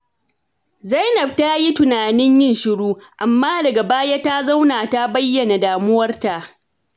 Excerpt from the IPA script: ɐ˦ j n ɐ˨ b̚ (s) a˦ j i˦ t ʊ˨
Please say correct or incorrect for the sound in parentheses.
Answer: incorrect: t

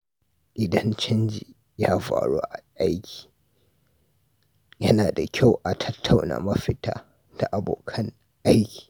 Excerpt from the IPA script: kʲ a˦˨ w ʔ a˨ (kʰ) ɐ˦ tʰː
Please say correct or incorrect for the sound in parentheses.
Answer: incorrect: tʰ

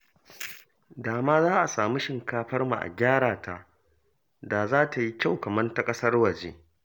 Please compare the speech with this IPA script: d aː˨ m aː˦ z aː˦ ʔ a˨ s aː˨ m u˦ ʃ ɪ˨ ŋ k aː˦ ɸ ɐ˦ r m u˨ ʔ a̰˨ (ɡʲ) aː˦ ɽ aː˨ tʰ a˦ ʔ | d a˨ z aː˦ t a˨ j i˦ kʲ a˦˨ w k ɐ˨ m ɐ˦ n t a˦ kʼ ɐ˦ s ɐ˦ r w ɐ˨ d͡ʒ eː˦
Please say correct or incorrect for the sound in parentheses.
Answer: correct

